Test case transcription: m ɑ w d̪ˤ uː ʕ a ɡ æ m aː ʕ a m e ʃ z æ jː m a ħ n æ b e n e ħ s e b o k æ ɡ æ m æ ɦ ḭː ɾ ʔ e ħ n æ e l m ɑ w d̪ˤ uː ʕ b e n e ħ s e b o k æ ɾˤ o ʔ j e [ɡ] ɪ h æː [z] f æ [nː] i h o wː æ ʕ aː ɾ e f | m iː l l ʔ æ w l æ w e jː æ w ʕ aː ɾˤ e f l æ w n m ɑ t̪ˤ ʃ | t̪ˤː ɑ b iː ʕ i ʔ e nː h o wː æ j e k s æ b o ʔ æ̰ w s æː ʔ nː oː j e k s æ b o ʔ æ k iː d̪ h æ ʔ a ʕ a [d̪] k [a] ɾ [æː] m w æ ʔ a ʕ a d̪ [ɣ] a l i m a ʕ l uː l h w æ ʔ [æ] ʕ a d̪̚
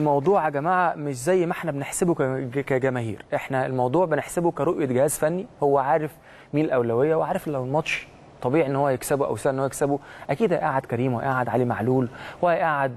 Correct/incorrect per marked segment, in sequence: correct, correct, correct, correct, incorrect, incorrect, incorrect, incorrect

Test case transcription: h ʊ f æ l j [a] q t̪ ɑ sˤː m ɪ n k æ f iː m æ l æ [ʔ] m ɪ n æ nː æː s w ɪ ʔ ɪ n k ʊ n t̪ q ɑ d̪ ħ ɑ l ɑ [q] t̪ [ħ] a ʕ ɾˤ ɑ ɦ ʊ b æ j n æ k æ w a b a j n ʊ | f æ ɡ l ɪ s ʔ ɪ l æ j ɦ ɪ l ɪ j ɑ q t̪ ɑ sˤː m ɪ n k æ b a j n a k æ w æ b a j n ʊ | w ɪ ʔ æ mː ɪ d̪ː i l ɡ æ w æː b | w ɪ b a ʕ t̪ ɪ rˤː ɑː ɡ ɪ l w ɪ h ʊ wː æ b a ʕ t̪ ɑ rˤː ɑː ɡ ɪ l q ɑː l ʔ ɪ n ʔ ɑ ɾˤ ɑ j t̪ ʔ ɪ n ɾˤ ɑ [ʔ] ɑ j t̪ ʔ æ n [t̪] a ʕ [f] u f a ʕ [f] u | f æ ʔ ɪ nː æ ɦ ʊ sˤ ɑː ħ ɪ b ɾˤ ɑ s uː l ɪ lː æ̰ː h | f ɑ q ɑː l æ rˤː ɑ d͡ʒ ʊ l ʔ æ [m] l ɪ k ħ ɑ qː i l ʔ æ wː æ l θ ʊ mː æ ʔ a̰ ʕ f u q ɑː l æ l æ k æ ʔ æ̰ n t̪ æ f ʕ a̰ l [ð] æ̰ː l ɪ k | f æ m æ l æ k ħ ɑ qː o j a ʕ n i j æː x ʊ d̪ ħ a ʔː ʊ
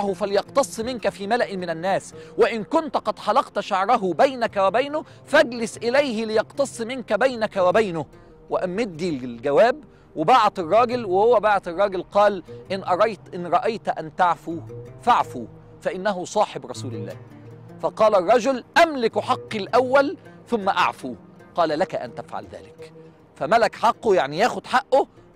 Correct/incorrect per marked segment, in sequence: incorrect, correct, correct, incorrect, correct, correct, correct, correct, correct, correct

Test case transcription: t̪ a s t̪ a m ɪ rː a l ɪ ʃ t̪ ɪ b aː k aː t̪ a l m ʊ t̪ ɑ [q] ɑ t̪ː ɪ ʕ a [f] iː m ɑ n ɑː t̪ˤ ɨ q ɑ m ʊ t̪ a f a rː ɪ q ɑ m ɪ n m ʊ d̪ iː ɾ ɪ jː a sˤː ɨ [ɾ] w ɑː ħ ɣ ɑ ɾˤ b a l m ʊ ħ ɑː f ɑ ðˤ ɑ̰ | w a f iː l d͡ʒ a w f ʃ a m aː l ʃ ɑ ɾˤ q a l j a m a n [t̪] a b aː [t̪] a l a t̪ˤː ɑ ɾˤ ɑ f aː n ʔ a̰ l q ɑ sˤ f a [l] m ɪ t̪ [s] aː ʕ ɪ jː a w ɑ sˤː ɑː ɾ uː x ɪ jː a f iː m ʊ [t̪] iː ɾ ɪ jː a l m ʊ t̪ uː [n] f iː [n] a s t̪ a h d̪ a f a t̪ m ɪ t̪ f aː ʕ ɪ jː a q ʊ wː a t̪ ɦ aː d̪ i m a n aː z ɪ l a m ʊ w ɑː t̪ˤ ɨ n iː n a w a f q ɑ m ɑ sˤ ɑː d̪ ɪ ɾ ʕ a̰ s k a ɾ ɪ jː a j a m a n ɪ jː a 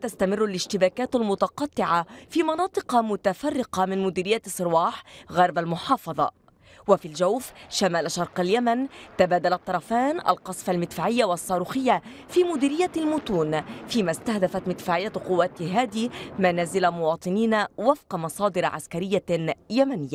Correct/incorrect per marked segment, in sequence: correct, correct, correct, correct, incorrect, correct, incorrect, incorrect, correct, incorrect

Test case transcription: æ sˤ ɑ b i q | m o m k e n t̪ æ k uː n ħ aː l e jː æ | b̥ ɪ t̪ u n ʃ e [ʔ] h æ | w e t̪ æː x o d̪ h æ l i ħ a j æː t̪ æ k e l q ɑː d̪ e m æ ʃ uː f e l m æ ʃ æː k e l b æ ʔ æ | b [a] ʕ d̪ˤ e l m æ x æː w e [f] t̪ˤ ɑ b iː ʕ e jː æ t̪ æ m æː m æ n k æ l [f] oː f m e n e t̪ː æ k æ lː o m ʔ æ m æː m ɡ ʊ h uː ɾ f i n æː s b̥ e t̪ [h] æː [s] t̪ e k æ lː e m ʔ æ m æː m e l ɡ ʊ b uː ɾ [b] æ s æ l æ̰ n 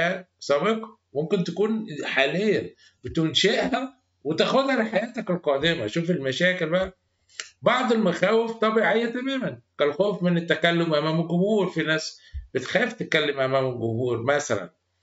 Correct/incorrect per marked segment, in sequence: correct, incorrect, correct, incorrect, incorrect, incorrect, incorrect

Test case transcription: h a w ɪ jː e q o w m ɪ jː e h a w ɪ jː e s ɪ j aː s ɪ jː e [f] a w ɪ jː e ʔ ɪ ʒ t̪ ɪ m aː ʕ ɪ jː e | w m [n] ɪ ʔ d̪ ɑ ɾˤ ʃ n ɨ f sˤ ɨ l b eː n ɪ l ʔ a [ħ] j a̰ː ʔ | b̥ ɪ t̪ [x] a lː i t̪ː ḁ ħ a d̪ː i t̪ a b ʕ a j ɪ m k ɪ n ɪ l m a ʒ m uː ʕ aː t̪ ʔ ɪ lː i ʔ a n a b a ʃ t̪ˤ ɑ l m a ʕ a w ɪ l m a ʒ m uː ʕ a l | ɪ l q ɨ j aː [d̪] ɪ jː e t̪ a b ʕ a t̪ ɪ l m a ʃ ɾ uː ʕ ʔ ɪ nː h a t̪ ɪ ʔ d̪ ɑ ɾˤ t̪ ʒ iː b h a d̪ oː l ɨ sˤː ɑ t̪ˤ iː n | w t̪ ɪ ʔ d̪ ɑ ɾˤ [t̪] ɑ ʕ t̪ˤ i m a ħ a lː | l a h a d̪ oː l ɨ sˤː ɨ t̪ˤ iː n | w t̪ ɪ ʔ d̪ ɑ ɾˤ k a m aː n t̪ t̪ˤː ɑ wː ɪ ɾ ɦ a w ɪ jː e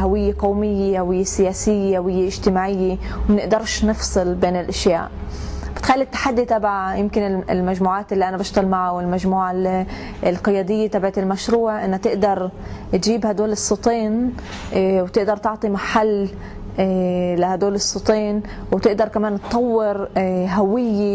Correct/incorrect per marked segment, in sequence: incorrect, correct, incorrect, correct, correct, correct

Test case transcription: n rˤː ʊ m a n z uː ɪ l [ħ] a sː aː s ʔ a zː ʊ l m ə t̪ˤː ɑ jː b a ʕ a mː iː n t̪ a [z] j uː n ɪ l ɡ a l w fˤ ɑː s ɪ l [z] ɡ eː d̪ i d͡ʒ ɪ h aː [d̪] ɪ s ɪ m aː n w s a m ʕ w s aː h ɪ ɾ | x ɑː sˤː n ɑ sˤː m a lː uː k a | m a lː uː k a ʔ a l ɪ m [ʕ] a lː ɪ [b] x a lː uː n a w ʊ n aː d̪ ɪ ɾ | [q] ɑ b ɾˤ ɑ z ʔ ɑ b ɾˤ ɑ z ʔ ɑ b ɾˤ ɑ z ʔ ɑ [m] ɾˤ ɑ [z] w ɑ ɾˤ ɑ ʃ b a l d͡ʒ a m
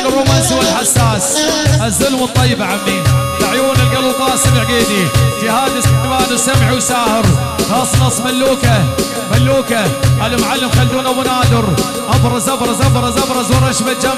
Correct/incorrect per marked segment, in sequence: correct, incorrect, incorrect, correct, correct, incorrect, incorrect, incorrect, correct

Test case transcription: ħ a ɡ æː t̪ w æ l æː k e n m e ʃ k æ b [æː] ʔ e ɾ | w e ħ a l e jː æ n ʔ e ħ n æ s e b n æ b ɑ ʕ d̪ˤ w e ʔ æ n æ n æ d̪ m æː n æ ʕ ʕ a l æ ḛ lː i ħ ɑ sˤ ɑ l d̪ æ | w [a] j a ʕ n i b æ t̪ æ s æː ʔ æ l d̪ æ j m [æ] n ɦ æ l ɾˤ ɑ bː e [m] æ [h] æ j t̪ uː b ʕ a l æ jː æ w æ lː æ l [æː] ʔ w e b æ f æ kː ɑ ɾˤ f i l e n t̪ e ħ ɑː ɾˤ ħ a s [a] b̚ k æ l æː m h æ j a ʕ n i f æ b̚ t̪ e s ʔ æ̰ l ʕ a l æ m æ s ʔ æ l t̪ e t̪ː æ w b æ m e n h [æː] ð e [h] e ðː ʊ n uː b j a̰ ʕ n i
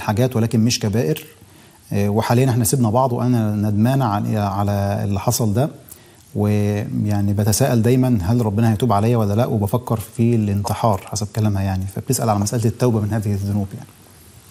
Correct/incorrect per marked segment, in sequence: correct, incorrect, correct, incorrect, correct, incorrect, incorrect, correct, correct

